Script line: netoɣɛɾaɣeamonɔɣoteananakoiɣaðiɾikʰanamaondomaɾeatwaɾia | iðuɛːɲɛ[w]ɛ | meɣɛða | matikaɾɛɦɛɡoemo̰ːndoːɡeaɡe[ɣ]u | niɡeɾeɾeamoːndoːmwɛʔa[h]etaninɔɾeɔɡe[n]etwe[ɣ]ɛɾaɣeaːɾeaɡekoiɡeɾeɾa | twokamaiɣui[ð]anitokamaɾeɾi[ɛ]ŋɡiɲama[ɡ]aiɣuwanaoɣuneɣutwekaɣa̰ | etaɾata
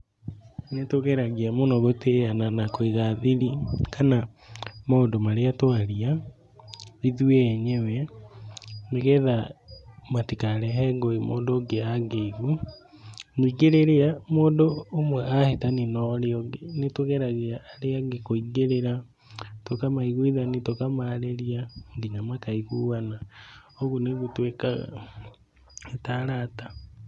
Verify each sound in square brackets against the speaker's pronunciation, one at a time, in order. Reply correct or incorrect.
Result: correct, correct, correct, correct, correct, correct, incorrect, incorrect

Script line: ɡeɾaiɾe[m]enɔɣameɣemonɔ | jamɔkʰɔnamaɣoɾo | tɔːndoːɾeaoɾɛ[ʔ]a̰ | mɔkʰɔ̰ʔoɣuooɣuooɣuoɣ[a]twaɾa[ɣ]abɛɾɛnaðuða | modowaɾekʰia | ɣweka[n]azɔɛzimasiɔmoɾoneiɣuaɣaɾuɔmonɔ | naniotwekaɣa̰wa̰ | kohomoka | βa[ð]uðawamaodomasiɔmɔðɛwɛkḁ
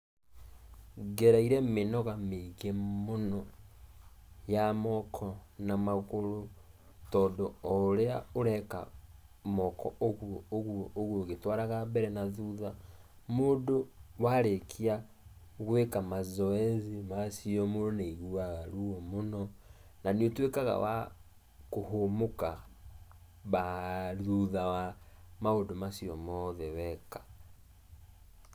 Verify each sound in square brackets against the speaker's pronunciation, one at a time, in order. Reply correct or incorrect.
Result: correct, incorrect, incorrect, correct, incorrect, correct

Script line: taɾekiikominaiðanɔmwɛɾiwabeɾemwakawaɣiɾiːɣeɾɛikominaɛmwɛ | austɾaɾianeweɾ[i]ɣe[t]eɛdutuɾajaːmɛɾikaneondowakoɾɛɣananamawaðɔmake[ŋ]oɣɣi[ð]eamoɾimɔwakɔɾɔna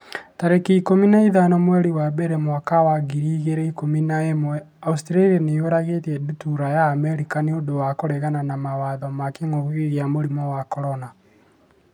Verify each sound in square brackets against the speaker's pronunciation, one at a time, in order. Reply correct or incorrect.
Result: incorrect, correct, correct, incorrect

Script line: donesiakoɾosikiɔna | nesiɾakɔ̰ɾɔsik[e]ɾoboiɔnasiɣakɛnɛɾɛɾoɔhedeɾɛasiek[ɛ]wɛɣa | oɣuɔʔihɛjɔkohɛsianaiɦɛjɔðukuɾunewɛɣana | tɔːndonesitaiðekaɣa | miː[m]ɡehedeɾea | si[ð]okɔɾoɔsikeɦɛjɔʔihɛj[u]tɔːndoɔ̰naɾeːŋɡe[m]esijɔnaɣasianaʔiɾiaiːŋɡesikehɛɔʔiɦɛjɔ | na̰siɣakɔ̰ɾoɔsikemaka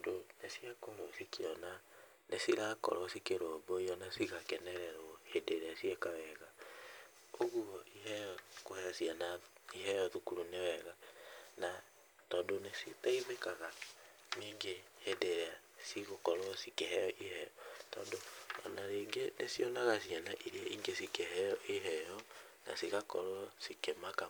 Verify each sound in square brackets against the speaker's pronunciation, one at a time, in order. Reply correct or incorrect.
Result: correct, incorrect, incorrect, incorrect, incorrect, incorrect

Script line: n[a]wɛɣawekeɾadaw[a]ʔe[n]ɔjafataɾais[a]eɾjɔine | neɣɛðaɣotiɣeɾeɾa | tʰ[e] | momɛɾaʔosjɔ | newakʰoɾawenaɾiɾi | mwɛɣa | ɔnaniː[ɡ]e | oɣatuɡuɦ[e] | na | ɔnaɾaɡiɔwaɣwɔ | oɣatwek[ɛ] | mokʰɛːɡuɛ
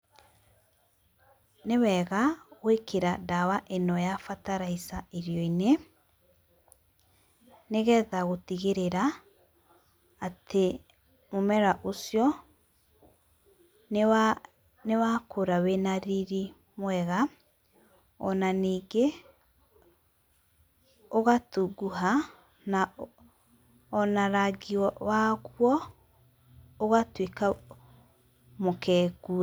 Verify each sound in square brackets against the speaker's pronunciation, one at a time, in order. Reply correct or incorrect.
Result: incorrect, correct, correct, correct, correct, correct, incorrect, incorrect

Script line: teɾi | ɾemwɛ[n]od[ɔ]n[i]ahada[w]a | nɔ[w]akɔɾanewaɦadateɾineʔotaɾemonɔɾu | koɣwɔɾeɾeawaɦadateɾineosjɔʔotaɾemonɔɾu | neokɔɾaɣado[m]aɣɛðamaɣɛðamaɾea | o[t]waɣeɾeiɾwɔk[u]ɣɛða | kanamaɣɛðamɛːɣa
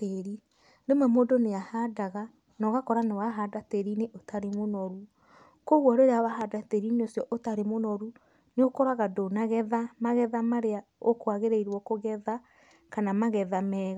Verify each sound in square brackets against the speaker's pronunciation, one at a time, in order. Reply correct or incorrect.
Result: incorrect, incorrect, incorrect, incorrect, incorrect, incorrect, incorrect, incorrect

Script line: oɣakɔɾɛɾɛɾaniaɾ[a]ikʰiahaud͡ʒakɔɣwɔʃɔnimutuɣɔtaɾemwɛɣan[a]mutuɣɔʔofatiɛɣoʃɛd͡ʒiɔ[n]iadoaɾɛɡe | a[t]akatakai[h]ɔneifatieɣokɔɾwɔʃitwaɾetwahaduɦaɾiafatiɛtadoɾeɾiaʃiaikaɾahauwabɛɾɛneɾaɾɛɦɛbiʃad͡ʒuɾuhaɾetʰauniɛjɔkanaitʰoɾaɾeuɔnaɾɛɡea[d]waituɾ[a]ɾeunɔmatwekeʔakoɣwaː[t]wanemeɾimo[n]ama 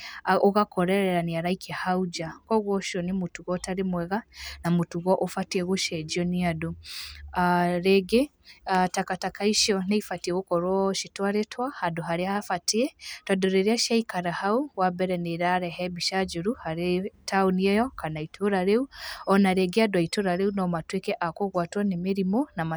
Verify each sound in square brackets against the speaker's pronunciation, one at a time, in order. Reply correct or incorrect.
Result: correct, correct, correct, correct, incorrect, correct, correct, correct, correct

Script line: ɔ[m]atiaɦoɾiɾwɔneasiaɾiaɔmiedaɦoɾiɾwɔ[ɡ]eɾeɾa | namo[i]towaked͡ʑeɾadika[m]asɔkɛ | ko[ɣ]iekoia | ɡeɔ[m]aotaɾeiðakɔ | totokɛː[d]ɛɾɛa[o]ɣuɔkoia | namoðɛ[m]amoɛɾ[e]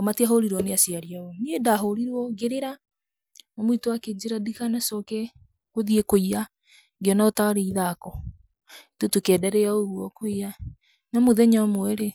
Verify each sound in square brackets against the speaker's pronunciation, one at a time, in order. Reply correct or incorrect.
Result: correct, correct, correct, incorrect, incorrect, incorrect, correct, correct, incorrect, correct

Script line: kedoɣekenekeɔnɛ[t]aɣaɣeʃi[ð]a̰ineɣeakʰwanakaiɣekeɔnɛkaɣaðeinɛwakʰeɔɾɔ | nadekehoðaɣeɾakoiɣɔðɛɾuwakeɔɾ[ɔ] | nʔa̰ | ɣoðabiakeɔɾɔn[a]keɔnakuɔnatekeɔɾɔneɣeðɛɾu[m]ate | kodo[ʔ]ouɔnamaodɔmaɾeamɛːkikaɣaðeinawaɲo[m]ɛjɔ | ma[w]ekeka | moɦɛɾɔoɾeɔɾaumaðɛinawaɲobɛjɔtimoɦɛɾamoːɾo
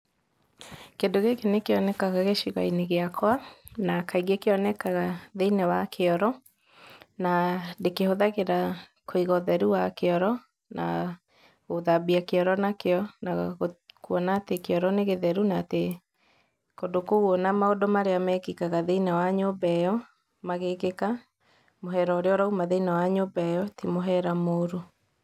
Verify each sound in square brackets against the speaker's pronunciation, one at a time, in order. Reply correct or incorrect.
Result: incorrect, incorrect, correct, correct, incorrect, incorrect, incorrect, incorrect

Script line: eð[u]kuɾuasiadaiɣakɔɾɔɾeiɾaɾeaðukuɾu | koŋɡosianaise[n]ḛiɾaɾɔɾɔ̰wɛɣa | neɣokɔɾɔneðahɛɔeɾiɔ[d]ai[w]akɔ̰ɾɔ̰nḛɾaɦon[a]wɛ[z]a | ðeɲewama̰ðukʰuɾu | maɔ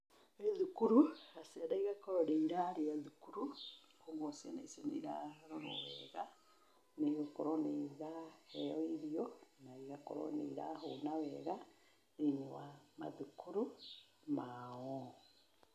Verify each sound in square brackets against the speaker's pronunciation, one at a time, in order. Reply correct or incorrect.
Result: correct, correct, incorrect, incorrect, correct, incorrect

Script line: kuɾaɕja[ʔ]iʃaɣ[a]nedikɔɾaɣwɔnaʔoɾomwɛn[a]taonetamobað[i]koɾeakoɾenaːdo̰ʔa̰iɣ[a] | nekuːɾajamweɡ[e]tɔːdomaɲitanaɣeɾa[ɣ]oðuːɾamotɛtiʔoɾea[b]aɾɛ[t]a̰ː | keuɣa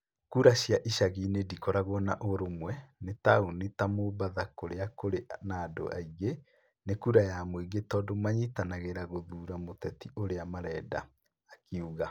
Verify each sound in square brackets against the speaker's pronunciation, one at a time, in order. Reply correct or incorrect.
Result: correct, incorrect, incorrect, incorrect, incorrect, correct, correct, incorrect, incorrect

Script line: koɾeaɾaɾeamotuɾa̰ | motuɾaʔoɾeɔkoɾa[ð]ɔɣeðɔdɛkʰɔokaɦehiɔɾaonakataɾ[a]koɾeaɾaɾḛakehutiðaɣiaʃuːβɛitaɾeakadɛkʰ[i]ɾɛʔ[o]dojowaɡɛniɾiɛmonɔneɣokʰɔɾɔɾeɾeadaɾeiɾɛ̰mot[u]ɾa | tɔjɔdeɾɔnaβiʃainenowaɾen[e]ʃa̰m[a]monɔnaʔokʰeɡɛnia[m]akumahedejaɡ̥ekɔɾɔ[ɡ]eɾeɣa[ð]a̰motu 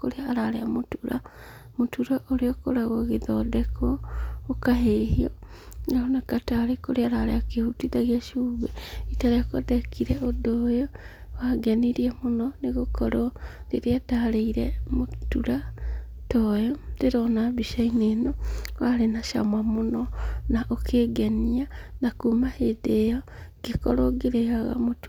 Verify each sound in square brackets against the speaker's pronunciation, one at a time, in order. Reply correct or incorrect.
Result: incorrect, incorrect, correct, correct, correct, incorrect, correct, incorrect, correct, incorrect

